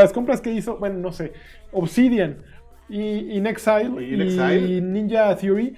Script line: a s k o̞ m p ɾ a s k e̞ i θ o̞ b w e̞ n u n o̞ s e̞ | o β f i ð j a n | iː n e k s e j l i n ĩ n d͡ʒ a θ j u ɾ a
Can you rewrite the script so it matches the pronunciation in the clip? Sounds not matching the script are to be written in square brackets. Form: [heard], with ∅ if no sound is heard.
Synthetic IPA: a s k o̞ m p ɾ a s k e̞ i [s] o̞ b w e̞ n [o] n o̞ s e̞ | o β [s] i ð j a n | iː n e k s [a] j l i n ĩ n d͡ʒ a θ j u ɾ [i]